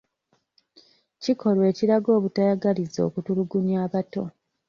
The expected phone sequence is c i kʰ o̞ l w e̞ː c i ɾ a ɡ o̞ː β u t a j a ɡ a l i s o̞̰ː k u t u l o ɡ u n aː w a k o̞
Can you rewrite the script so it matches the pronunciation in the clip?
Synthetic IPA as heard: c i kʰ o̞ l w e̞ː c i ɾ a ɡ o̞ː β u t a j a ɡ a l i z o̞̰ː k u t u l u ɡ u ɲ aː β a t o̞